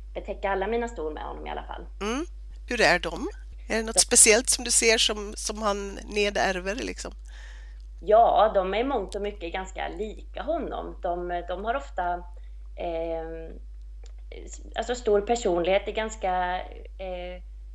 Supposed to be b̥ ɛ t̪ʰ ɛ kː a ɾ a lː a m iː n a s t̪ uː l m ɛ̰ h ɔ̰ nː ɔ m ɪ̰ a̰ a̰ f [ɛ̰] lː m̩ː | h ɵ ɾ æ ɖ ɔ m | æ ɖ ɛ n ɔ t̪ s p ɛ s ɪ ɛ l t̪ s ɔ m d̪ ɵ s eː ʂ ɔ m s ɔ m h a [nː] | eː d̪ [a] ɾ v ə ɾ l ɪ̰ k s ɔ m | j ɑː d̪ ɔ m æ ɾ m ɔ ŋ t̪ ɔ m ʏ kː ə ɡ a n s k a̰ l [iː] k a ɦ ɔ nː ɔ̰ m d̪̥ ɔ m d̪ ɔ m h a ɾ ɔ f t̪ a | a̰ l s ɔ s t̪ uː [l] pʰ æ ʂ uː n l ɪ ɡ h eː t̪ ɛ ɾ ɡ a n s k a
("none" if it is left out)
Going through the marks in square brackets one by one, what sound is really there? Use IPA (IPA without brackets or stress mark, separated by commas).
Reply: a̰, nː, æ, iː, ɾ